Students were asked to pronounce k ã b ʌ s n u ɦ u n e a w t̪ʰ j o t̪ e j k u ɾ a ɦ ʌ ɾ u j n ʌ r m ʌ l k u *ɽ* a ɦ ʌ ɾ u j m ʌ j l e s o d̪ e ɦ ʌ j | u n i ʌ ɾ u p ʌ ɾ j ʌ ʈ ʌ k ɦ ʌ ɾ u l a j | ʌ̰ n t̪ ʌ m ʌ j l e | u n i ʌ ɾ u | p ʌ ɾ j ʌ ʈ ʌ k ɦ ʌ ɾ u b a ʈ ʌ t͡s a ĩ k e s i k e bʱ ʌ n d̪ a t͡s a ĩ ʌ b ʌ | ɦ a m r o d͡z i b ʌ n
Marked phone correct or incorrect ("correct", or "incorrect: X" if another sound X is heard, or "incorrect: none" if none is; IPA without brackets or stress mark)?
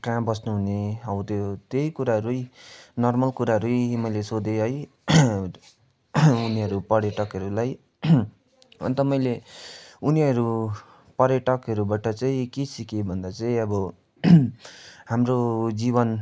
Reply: incorrect: ɾ